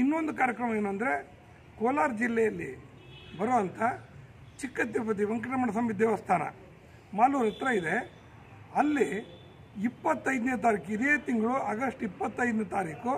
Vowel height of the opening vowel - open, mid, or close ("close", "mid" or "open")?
close